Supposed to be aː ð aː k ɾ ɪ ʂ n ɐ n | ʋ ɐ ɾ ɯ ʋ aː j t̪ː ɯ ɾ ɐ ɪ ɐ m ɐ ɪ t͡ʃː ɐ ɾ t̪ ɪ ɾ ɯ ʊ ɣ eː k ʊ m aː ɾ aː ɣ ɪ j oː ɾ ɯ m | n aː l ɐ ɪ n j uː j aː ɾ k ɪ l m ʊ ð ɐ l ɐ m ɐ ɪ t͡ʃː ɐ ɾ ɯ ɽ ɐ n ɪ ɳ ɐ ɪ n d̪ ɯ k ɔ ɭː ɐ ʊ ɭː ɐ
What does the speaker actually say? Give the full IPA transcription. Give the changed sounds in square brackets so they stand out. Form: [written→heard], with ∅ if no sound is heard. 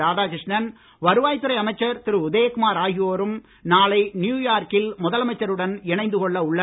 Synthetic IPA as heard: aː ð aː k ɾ ɪ ʂ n ɐ n | ʋ ɐ ɾ ɯ ʋ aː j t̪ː ɯ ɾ ɐ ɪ ɐ m ɐ ɪ t͡ʃː ɐ ɾ t̪ ɪ ɾ ɯ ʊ [ɣ→ð] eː k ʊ m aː ɾ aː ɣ ɪ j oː ɾ ɯ m | n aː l ɐ ɪ n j uː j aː ɾ k ɪ l m ʊ ð ɐ l ɐ m ɐ ɪ t͡ʃː ɐ ɾ ɯ ɽ ɐ n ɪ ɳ ɐ ɪ n d̪ ɯ k ɔ ɭː ɐ ʊ ɭː ɐ

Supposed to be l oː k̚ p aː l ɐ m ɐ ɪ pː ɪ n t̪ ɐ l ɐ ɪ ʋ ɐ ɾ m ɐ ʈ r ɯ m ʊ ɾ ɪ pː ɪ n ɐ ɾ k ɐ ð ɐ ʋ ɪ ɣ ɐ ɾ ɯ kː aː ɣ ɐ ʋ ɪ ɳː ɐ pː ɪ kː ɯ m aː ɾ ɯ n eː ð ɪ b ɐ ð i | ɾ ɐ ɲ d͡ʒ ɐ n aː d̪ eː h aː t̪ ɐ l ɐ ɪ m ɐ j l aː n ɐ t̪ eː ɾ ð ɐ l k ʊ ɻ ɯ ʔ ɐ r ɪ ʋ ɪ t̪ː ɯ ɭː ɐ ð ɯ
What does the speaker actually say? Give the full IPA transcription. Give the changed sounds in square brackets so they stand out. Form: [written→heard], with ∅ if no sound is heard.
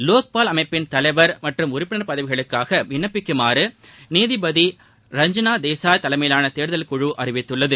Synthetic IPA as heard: l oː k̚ p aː l ɐ m ɐ ɪ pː ɪ n t̪ ɐ l ɐ ɪ ʋ ɐ ɾ m ɐ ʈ r ɯ m ʊ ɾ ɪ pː ɪ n ɐ ɾ [k→p] ɐ ð ɐ ʋ ɪ ɣ ɐ [ɾ→ɭ] ɯ kː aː ɣ ɐ ʋ ɪ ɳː ɐ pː ɪ kː ɯ m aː ɾ ɯ n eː ð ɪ b ɐ ð i | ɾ ɐ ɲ d͡ʒ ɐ n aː d̪ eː [h→s] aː t̪ ɐ l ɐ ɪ m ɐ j l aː n ɐ t̪ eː ɾ ð ɐ l k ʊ ɻ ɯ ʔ ɐ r ɪ ʋ ɪ t̪ː ɯ ɭː ɐ ð ɯ

